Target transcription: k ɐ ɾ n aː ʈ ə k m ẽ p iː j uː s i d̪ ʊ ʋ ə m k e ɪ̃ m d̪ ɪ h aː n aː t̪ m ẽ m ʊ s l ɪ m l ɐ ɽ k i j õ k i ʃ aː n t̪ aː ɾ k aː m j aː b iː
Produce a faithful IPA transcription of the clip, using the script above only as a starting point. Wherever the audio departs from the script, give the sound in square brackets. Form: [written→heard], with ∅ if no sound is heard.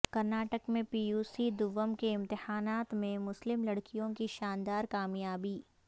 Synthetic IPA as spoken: k ɐ ɾ n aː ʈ ə k m ẽ p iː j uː s i d̪ ʊ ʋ ə m k e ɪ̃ m [d̪→t̪] ɪ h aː n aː t̪ m ẽ m ʊ s l ɪ m l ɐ ɽ k i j õ k i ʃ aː n [t̪→d̪] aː ɾ k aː m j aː b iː